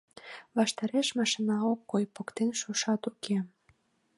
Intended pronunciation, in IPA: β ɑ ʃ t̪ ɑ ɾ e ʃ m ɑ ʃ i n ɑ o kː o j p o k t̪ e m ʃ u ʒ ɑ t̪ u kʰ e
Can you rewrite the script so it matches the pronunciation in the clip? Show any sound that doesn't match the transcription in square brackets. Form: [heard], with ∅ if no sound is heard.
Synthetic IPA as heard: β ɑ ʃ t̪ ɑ ɾ e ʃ m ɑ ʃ i n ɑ o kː o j p o k t̪ e [n] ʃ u [ʃ] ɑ t̪ u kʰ e

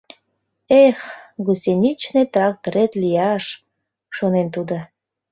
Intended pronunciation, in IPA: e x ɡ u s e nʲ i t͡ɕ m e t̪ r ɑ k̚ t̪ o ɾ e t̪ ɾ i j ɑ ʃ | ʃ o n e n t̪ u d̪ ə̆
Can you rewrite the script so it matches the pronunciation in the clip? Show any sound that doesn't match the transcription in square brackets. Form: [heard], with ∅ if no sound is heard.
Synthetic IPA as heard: e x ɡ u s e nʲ i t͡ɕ [n] e t̪ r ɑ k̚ t̪ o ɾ e t̪ [l] i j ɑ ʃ | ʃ o n e n t̪ u d̪ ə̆

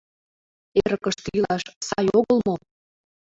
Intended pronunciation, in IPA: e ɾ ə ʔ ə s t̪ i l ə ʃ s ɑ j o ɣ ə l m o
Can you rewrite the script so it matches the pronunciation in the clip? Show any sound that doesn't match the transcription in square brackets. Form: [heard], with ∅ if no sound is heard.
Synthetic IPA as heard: e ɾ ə [k] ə [ʃ] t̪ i l [ɑ] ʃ s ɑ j o ɣ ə l m o

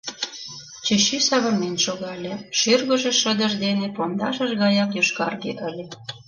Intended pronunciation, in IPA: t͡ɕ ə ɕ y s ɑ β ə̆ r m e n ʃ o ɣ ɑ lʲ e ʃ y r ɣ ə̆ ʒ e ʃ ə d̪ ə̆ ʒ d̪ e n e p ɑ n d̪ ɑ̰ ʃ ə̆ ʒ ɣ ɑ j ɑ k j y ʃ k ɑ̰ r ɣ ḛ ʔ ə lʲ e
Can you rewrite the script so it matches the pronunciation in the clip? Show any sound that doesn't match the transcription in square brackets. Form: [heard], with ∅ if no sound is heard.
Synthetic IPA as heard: t͡ɕ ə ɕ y s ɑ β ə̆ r m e n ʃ o ɣ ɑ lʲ e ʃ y r ɣ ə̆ ʒ e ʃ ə d̪ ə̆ ʒ d̪ e n e p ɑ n d̪ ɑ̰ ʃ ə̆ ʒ ɣ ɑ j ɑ k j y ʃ k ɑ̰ r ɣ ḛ ʔ ə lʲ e

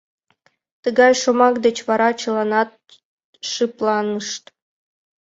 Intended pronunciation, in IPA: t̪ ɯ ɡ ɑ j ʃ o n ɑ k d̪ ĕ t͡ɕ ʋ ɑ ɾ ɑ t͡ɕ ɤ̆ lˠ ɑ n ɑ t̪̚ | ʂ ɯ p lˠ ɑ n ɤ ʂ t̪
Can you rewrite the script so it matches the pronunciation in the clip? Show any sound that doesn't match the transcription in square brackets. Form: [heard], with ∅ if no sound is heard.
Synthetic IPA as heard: t̪ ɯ ɡ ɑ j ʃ o [m] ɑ k d̪ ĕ t͡ɕ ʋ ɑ ɾ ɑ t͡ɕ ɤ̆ lˠ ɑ n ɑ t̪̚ | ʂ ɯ p lˠ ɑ n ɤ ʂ t̪

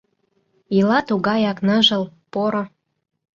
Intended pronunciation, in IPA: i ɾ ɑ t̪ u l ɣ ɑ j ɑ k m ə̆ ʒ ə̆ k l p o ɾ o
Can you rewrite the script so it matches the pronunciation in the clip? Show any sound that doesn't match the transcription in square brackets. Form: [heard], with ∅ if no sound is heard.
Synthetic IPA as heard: i [l] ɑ t̪ u [∅] ɣ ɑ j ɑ k [n] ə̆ ʒ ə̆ [∅] l p o ɾ o

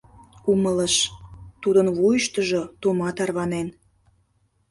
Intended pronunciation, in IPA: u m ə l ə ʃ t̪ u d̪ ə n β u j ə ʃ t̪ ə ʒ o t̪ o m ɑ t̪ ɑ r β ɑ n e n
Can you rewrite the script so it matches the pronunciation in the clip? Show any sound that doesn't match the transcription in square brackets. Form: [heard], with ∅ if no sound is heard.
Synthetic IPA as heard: u m ə l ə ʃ t̪ u d̪ ə n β u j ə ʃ t̪ ə ʒ o t̪ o m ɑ t̪ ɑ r β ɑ n e n

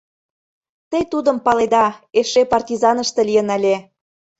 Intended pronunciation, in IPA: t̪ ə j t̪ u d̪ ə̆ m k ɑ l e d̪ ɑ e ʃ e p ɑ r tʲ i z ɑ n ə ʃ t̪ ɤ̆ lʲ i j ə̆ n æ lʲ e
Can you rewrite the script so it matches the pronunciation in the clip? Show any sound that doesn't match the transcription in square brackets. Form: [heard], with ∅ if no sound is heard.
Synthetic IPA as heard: t̪ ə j t̪ u d̪ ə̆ m [p] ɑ l e d̪ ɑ e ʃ e p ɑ r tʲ i z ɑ n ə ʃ t̪ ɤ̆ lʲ i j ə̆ n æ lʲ e

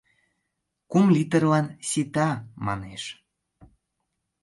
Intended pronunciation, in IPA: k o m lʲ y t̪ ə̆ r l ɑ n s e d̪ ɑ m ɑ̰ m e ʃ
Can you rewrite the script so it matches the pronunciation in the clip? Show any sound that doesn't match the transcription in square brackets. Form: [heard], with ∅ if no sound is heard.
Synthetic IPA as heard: k [u] m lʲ [i] t̪ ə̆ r l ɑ n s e [t̪] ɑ m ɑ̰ [n] e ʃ

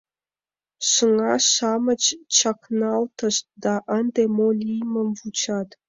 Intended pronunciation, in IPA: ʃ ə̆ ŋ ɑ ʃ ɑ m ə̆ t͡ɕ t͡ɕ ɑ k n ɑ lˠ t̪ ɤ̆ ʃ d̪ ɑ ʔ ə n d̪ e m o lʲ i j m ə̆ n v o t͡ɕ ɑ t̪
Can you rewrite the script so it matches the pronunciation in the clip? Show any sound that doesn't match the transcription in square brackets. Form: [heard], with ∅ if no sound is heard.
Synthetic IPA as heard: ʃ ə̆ ŋ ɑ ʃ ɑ m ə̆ t͡ɕ t͡ɕ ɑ k n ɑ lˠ t̪ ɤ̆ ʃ d̪ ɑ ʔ ə n d̪ e m o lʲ i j m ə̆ [m] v [u] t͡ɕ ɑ t̪

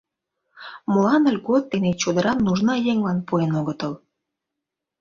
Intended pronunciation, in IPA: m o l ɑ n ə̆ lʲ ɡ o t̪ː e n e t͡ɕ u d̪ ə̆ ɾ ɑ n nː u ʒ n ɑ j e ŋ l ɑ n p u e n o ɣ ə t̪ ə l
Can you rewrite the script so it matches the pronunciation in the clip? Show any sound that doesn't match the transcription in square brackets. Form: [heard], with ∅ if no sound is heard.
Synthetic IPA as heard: m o l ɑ n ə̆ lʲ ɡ o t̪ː e n e t͡ɕ [o] d̪ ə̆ ɾ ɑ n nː u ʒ n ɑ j e ŋ l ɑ n p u e n o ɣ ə t̪ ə l

